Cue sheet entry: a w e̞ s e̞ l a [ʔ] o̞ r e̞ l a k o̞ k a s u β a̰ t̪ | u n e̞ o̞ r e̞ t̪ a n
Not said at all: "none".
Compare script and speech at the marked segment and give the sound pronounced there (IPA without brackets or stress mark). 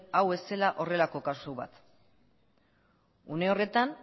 ʔ